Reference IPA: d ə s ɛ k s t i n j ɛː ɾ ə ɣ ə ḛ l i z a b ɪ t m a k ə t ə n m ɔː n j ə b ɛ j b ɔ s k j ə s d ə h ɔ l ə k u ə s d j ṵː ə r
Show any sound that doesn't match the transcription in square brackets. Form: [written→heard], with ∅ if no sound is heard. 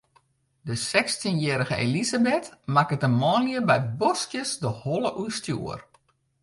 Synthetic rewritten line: d ə s ɛ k s t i n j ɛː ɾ ə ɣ ə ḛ l i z a b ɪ t m a k ə t ə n m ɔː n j ə b ɛ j b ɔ s k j ə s d ə h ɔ l ə [k→ʔ] u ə s [d→t] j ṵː ə r